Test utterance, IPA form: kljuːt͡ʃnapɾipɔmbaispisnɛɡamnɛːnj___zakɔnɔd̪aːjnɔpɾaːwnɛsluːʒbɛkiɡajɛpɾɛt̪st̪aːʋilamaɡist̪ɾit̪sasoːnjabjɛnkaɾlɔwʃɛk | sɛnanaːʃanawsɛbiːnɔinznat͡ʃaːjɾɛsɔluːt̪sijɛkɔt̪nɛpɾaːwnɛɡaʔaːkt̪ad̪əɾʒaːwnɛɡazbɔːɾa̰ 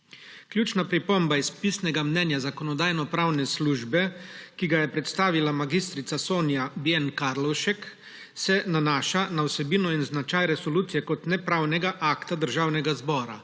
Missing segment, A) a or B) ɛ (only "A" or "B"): A